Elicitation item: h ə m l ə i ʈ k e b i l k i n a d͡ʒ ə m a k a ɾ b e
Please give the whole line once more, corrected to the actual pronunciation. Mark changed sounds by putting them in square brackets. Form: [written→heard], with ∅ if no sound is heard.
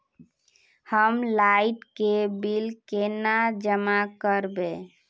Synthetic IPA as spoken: h ə m l [ə→a] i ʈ k e b i l k [i→e] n a d͡ʒ ə m a k [a→ə] ɾ b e

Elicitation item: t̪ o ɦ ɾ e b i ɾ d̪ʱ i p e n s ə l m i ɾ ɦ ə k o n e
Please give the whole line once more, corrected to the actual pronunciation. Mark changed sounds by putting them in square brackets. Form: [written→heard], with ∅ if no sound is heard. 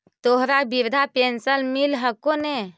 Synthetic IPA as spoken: t̪ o ɦ ɾ [e→a] b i ɾ d̪ʱ [i→a] p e n s ə l m i [ɾ→l] ɦ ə k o n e

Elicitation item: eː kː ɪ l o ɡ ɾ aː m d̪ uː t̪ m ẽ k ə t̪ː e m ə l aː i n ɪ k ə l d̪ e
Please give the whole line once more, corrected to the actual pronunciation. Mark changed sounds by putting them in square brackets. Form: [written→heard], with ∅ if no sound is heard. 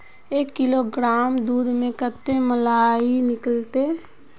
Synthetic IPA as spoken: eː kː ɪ l o ɡ ɾ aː m d̪ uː [t̪→d̪] m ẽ k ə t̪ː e m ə l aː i n ɪ k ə l [d̪→t̪] e

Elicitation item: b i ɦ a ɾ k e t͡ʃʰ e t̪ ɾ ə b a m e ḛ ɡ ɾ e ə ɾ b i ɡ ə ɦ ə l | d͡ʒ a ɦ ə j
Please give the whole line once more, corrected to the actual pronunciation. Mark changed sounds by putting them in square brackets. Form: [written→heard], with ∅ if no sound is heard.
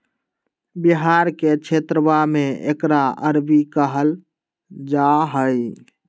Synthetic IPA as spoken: b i ɦ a ɾ k e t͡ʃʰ e t̪ ɾ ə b a m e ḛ [ɡ→k] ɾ [e→a] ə ɾ b i [ɡ→k] ə ɦ ə l | d͡ʒ a ɦ ə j

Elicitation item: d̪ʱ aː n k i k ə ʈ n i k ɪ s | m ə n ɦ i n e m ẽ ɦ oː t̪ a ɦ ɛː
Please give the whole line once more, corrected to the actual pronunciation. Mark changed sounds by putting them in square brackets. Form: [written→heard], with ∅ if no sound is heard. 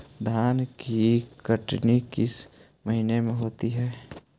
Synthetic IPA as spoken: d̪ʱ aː n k i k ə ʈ n i k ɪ s | m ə [n→∅] ɦ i n e m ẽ ɦ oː t̪ [a→i] ɦ ɛː

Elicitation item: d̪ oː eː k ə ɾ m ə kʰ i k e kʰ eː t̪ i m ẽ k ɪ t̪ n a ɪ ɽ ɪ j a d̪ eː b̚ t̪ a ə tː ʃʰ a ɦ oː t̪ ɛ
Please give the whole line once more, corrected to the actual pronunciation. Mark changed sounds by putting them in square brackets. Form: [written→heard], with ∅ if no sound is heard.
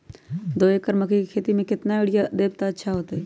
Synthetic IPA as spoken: d̪ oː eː k ə ɾ m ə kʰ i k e kʰ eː t̪ i m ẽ k ɪ t̪ n a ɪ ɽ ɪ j a d̪ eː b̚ t̪ a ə tː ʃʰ a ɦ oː t̪ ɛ

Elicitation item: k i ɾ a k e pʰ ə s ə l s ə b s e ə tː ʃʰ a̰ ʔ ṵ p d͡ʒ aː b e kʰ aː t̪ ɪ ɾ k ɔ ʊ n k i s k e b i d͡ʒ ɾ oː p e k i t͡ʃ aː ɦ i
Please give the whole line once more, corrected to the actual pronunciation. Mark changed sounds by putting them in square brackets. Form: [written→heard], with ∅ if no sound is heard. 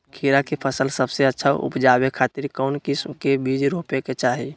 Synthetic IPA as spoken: [k→kʰ] i ɾ a k e pʰ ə s ə l s ə b s e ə tː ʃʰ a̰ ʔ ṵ p d͡ʒ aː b e kʰ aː t̪ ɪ ɾ k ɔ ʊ n k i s k e b i d͡ʒ ɾ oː p e k [i→e] t͡ʃ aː ɦ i

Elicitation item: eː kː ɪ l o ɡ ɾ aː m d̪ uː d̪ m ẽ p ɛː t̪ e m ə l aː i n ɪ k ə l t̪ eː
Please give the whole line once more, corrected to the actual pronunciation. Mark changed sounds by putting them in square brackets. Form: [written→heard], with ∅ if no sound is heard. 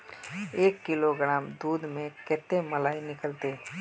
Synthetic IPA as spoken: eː kː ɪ l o ɡ ɾ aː m d̪ uː d̪ m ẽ [p→k] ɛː t̪ e m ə l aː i n ɪ k ə l t̪ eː

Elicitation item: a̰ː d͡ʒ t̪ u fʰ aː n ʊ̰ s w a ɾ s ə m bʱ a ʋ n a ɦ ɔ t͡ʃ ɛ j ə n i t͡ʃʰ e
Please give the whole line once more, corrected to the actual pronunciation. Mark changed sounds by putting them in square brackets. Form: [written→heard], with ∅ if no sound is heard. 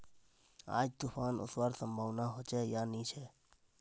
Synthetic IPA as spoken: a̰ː d͡ʒ t̪ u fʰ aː n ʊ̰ s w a ɾ s ə m bʱ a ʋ n a ɦ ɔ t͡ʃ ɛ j [ə→a] n i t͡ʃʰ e

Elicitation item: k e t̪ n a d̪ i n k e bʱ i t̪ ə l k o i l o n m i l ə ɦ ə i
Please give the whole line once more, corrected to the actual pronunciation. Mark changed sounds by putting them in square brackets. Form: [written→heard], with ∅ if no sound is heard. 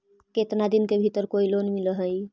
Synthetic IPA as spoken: k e t̪ n a d̪ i n k e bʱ i t̪ ə [l→ɾ] k o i l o n m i l ə ɦ ə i

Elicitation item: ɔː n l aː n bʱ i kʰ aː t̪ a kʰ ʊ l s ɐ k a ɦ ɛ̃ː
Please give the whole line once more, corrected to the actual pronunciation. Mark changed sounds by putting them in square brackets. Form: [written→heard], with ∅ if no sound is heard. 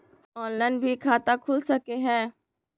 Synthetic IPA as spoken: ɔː n l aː n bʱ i kʰ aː t̪ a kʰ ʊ l s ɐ k [a→e] ɦ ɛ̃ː

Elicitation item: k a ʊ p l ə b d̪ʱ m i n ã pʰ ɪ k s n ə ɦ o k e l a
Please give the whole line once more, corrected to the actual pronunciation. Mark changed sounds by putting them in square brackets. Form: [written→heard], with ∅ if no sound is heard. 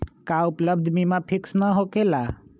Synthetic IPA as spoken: k a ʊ p l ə b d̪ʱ m i [n→m] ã pʰ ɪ k s n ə ɦ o k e l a

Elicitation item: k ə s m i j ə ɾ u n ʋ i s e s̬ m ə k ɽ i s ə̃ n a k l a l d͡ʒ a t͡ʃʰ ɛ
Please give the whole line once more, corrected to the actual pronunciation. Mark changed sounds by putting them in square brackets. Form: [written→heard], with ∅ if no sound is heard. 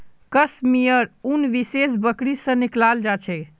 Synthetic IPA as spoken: k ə s m i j ə ɾ u n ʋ i s e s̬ [m→b] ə k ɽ i s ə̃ n [a→i] k l a l d͡ʒ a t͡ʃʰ ɛ

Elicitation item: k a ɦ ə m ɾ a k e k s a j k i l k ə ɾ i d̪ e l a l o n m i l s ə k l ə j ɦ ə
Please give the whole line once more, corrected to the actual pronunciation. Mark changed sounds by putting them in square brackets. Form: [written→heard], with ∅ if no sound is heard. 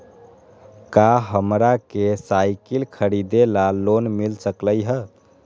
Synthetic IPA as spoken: k a ɦ ə m ɾ a k e [k→∅] s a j k i l [k→kʰ] ə ɾ i d̪ e l a l o n m i l s ə k l ə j ɦ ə

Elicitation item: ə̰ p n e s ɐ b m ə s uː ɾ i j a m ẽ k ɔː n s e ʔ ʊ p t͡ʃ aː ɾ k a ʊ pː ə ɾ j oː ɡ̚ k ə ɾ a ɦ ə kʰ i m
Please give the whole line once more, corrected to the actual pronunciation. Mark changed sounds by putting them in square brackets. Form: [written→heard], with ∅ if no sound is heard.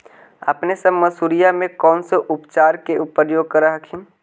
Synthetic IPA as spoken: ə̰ p n e s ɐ b m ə s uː ɾ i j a m ẽ k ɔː n s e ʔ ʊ p t͡ʃ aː ɾ k [a→e] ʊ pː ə ɾ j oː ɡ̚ k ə ɾ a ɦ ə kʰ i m

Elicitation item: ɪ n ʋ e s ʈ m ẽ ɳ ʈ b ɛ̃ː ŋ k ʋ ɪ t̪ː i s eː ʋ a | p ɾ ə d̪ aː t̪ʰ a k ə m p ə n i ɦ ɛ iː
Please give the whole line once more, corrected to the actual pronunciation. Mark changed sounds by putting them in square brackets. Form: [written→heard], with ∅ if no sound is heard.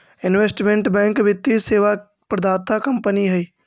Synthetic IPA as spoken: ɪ n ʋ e s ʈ m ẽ ɳ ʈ b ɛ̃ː ŋ k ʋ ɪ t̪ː i s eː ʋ a | p ɾ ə d̪ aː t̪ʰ a k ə m p ə n i ɦ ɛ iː

